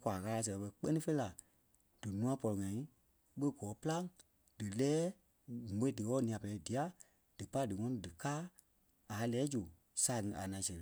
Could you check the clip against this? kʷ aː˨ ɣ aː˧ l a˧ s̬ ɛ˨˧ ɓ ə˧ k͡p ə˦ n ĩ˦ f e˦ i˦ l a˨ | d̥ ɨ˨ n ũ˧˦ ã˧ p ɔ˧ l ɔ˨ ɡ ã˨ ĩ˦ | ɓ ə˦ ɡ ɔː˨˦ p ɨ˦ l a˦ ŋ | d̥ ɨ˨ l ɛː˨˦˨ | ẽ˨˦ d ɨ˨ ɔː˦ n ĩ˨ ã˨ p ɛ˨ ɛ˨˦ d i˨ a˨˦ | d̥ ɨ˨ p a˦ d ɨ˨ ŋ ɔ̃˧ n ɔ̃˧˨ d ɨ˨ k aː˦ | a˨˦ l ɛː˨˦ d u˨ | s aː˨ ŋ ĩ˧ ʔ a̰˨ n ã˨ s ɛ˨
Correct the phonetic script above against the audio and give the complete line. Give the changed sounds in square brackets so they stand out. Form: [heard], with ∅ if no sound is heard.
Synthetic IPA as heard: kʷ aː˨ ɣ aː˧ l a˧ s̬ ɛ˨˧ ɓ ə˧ k͡p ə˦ n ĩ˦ f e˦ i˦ l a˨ | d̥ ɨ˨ n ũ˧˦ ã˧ p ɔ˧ l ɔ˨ [ŋ] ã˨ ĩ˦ | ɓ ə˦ ɡ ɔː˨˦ p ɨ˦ l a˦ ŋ | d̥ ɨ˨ l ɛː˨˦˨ | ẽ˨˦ d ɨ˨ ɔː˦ n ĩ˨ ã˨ p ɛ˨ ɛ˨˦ d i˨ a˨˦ | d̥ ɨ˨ p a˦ d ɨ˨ ŋ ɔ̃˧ n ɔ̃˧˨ d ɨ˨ k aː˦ | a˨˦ l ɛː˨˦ [d͡ʒ] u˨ | s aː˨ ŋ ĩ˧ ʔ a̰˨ n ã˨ s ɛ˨

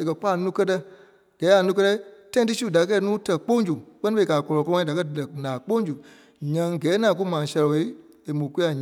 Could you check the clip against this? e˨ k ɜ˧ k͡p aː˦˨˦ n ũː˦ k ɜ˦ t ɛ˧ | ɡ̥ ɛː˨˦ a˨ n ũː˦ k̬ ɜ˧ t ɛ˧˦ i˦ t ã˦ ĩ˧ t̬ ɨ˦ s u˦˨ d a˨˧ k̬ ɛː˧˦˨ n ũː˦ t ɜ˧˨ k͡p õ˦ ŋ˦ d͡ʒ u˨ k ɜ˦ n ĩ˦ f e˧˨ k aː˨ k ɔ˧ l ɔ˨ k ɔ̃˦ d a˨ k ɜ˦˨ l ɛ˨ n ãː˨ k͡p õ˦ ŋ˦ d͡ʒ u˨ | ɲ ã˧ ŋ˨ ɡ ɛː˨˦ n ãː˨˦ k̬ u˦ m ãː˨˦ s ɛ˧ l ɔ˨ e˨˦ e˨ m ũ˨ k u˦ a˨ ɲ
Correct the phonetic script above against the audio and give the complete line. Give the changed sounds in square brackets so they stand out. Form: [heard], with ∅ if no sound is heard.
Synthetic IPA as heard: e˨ k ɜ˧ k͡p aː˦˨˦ n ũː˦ k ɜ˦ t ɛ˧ | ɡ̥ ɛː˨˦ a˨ n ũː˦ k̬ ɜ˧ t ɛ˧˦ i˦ t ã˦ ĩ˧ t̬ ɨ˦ s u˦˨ d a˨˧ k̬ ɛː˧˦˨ n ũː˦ t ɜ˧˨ k͡p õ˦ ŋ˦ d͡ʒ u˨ [k͡p] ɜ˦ n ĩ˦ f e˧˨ k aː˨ k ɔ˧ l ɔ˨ k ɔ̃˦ d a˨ k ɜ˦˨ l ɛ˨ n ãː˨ k͡p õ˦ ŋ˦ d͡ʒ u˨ | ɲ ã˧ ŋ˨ ɡ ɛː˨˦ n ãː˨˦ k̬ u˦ m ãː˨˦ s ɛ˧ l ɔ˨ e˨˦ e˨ m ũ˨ k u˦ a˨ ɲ

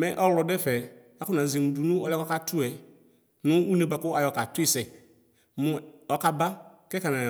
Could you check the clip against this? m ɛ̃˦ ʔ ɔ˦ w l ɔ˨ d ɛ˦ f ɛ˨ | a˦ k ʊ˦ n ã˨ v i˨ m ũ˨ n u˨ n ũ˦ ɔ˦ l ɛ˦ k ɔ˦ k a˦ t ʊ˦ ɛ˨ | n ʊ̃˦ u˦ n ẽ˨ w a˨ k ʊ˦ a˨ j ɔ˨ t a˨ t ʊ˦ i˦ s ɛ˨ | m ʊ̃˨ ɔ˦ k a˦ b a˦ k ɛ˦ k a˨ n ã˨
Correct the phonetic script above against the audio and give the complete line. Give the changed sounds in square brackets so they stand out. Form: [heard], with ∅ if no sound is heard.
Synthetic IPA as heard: m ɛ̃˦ ʔ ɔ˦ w l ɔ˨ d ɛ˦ f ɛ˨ | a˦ k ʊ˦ n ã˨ [z] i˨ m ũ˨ [d] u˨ n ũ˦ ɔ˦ l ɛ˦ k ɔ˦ k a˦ t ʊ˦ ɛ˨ | n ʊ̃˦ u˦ n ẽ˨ [b] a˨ k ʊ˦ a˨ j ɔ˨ [k] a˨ t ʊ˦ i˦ s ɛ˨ | m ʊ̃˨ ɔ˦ k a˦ b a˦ k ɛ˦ k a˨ n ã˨

